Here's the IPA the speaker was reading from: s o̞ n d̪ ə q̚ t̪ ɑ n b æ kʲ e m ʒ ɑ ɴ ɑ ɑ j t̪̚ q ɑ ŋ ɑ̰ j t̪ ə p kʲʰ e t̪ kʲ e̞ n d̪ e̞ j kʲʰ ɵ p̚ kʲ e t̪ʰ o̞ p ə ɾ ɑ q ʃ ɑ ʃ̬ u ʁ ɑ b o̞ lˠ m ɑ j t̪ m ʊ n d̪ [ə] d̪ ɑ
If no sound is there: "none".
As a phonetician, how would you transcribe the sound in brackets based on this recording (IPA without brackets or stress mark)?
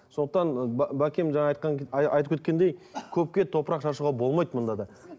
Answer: ɑ